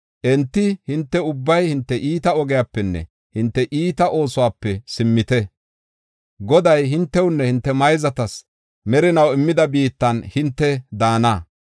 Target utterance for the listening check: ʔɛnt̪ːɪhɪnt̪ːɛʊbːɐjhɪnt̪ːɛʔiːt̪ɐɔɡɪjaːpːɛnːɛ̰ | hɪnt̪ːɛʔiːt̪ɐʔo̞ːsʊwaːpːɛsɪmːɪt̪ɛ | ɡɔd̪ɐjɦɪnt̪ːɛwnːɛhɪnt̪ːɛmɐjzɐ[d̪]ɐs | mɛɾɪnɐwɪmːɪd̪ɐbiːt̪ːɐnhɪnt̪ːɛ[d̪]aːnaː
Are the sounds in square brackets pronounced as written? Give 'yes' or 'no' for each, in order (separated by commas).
no, yes